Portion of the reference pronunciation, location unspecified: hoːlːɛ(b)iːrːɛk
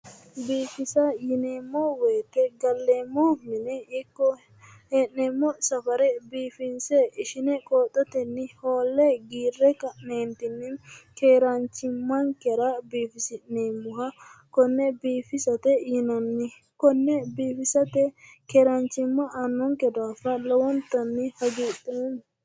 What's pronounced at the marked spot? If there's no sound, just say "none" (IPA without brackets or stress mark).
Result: ɡ